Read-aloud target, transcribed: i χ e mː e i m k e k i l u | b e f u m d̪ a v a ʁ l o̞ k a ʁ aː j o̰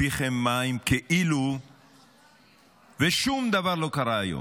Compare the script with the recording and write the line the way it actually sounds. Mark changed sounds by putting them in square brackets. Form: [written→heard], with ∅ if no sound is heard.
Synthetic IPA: i χ e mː [e→a] i m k e [k→ʔ] i l u | [b→v] e [f→ʃ] u m d̪ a v a ʁ l o̞ k a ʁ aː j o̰